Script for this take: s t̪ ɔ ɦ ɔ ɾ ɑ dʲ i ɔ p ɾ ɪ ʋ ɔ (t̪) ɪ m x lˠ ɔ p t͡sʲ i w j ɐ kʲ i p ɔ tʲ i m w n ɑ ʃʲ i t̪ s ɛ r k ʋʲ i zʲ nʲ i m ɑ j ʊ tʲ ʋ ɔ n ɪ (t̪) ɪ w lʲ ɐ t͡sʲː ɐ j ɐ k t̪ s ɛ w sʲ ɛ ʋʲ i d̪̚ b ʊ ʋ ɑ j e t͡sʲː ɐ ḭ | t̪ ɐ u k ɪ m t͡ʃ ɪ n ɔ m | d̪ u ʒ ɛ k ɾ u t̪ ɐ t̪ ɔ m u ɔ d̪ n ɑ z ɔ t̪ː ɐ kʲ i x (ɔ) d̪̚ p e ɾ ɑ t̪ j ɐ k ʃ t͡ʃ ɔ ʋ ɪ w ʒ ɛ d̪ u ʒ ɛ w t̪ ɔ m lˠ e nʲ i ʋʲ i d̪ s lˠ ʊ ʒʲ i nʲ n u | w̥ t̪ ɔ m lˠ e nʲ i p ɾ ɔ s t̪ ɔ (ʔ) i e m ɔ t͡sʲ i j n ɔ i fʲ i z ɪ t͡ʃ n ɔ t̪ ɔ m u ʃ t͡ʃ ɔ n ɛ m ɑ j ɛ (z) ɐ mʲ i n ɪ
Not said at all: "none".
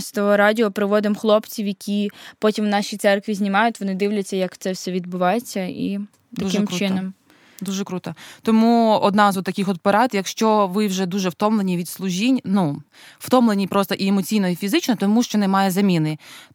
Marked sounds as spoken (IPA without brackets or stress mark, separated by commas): d̪, d̪, ɔ, ʔ, z